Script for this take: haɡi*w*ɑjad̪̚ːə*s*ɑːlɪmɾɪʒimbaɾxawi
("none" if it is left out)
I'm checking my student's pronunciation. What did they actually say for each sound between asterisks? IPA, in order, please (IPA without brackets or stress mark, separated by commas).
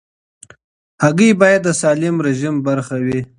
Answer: b, s